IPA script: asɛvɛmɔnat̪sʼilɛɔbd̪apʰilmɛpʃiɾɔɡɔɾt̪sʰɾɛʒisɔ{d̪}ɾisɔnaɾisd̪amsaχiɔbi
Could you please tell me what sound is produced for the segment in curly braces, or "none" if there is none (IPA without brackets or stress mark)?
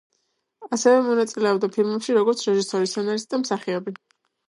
none